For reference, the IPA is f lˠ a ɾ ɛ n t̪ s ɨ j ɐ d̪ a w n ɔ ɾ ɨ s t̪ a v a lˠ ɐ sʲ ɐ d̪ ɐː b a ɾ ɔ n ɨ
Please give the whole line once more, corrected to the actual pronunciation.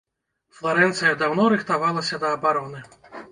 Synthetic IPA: f lˠ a ɾ ɛ n t̪ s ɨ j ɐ d̪ a w n ɔ ɾ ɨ x t̪ a v a lˠ ɐ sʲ ɐ d̪ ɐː b a ɾ ɔ n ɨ

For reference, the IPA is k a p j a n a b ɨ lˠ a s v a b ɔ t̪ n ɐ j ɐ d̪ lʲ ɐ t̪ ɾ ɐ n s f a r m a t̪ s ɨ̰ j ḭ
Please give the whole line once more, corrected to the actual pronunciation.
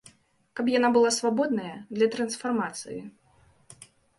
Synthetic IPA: k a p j a n a b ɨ lˠ a s v a b ɔ d̪ n ɐ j ɐ d̪ lʲ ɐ t̪ ɾ ɐ n s f a r m a t̪ s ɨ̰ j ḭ

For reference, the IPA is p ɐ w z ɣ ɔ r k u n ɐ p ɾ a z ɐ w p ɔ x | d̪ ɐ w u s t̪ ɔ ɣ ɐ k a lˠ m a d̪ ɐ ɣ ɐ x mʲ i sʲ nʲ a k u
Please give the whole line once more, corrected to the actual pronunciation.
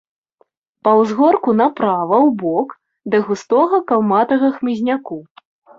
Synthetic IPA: p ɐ w z ɣ ɔ r k u n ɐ p ɾ a v ɐ w b ɔ k | d̪ ɐ ɣ u s t̪ ɔ ɣ ɐ k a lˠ m a t̪ ɐ ɣ ɐ x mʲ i zʲ nʲ a k u

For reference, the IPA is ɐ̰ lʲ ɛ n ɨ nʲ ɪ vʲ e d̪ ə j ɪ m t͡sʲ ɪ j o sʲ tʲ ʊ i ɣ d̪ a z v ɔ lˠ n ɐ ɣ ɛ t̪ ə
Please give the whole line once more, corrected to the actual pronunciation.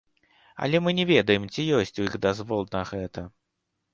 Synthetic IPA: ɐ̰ lʲ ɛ m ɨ nʲ ɪ vʲ e d̪ ə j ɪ m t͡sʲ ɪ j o sʲ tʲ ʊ i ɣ d̪ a z v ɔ lˠ n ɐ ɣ ɛ t̪ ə

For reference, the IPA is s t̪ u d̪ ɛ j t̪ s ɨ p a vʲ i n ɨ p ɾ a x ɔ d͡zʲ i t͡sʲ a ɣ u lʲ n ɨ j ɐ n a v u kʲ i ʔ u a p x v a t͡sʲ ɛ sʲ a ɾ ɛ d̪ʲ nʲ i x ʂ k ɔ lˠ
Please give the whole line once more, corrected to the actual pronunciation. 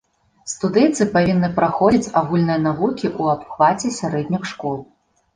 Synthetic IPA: s t̪ u d̪ ɛ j t̪ s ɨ p a vʲ i nː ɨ p ɾ a x ɔ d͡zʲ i t͡sʲ a ɣ u lʲ n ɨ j ɐ n a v u kʲ i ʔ u a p x v a t͡sʲ ɛ sʲ a ɾ ɛ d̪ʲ nʲ i x ʂ k ɔ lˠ

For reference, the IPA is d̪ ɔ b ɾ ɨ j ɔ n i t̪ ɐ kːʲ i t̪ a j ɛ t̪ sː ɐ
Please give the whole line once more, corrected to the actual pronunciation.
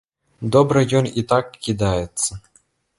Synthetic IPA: d̪ ɔ b ɾ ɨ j ɔ n i t̪ a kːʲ i d̪ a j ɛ t̪ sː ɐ

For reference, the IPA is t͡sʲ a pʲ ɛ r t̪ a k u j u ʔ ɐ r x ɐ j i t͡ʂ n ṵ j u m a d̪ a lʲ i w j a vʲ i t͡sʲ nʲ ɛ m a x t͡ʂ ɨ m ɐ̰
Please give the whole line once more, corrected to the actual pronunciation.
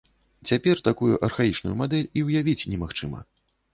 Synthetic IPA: t͡sʲ a pʲ ɛ r t̪ a k u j u ʔ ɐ r x a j i t͡ʂ n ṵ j u m a d̪ ɛ lʲ i w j a vʲ i t͡sʲ nʲ ɛ m a x t͡ʂ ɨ m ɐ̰

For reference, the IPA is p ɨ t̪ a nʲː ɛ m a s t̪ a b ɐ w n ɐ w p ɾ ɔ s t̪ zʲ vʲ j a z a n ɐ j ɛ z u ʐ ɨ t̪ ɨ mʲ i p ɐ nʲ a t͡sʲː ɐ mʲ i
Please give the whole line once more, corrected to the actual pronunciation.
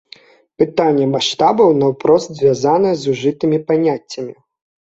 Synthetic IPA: p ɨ t̪ a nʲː ɛ m a ʂ t̪ a b ɐ w n ɐ w p ɾ ɔ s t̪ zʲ vʲ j a z a n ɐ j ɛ z u ʐ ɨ t̪ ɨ mʲ i p a nʲ a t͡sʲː ɐ mʲ i

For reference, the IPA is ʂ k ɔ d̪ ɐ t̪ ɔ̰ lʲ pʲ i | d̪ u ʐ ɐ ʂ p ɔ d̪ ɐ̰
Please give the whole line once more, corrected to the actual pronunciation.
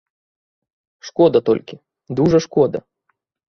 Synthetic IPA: ʂ k ɔ d̪ ɐ t̪ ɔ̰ lʲ kʲ i | d̪ u ʐ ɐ ʂ k ɔ d̪ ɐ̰

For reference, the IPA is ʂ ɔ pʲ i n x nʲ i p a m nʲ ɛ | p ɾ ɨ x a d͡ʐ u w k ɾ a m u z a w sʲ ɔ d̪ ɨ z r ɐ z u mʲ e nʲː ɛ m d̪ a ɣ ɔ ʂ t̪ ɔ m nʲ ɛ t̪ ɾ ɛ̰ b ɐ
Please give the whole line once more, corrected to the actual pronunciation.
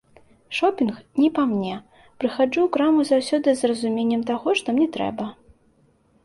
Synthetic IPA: ʂ ɔ pʲ i n x nʲ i p a m nʲ ɛ | p ɾ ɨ x a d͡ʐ u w k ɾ a m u z a w sʲ ɔ d̪ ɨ z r ɐ z u mʲ e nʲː ɛ m t̪ a ɣ ɔ ʂ t̪ ɔ m nʲ ɛ t̪ ɾ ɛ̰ b ɐ

